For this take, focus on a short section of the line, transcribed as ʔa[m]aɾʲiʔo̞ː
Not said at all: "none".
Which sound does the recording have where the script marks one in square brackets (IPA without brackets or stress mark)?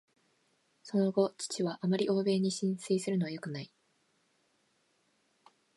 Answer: m